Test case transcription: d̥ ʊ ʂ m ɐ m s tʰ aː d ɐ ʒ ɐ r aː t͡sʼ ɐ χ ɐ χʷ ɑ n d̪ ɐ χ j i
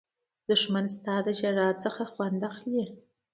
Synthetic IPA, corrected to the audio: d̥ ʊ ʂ m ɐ n s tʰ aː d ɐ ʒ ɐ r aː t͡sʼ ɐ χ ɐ χʷ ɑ n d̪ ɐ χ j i